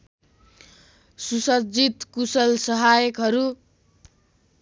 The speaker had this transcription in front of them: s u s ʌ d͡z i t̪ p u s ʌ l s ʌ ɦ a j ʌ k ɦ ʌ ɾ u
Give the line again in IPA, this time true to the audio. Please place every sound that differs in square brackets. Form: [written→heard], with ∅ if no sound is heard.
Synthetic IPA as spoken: s u s ʌ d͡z i t̪ [p→k] u s ʌ l s ʌ ɦ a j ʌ k ɦ ʌ ɾ u